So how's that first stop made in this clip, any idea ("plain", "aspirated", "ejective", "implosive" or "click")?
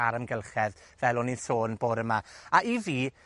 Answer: plain